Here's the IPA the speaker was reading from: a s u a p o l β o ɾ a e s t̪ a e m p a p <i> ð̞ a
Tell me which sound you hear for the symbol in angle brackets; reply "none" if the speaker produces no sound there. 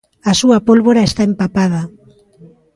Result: a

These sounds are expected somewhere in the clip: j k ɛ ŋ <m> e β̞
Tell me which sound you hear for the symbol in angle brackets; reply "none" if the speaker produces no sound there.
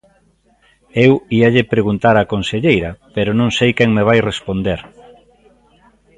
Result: m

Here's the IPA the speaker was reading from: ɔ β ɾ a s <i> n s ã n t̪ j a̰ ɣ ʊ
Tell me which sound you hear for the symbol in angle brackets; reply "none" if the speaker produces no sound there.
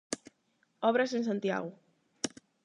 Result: e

